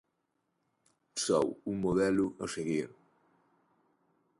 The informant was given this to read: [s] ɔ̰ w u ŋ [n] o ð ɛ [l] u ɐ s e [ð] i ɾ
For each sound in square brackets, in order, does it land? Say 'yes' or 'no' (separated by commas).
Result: yes, no, yes, no